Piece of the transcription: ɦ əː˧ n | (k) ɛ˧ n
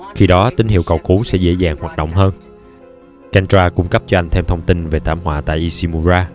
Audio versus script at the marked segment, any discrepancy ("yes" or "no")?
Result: no